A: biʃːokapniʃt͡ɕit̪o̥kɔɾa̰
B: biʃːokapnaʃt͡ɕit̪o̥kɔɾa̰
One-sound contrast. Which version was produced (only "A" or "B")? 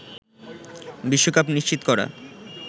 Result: A